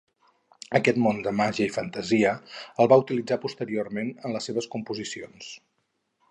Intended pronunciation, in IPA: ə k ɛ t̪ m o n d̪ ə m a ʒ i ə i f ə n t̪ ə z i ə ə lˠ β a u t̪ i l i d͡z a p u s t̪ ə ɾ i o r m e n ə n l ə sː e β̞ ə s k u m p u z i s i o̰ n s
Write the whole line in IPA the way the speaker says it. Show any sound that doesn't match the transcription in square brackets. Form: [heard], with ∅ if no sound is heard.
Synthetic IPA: ə k ɛ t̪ m o n d̪ ə m a ʒ i ə i f ə n t̪ ə z i ə ə lˠ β a u t̪ i l i d͡z a p u s t̪ ə ɾ i o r m e n ə n l ə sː e β̞ ə s k u m p u z i s i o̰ n s